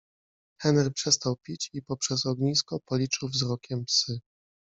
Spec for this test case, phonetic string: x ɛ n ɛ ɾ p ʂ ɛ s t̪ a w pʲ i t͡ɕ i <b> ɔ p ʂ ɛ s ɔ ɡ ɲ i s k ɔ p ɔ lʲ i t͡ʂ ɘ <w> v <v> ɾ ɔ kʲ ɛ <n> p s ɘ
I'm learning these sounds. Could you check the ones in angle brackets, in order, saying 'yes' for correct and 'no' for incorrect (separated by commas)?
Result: no, yes, no, no